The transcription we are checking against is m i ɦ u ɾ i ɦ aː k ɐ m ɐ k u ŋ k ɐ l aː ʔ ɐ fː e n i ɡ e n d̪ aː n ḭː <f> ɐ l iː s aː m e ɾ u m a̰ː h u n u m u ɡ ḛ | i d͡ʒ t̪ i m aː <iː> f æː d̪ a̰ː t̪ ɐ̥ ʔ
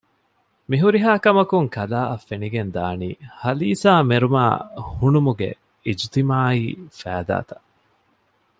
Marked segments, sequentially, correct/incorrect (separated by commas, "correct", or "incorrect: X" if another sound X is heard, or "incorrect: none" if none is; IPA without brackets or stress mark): incorrect: h, correct